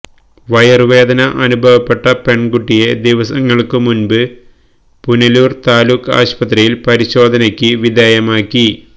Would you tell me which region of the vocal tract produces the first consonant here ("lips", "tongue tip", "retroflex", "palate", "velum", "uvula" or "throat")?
lips